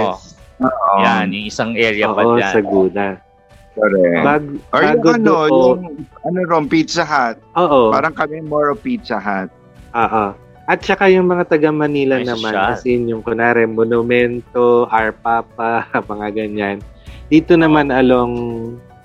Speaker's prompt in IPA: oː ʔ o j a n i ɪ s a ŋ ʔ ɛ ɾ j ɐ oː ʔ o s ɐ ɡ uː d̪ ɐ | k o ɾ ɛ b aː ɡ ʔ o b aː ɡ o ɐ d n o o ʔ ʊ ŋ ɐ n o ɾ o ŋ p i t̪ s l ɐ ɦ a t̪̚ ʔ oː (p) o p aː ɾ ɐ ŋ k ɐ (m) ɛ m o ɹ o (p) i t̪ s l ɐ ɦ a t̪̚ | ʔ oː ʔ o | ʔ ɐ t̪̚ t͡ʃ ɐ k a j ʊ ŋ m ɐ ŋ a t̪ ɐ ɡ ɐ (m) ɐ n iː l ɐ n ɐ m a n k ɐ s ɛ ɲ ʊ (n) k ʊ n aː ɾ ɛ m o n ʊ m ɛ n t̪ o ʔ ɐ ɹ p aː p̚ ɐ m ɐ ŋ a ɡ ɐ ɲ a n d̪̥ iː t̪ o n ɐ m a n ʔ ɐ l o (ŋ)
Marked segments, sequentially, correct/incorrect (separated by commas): incorrect, correct, correct, correct, incorrect, correct